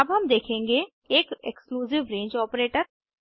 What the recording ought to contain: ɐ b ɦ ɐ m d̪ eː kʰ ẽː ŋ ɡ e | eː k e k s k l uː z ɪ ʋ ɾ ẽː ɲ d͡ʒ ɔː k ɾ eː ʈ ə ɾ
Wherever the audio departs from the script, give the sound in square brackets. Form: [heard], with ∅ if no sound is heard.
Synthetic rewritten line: ɐ b ɦ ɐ m d̪ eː kʰ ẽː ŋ ɡ e | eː k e k s k l uː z ɪ ʋ ɾ ẽː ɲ d͡ʒ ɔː [p] ɾ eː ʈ ə ɾ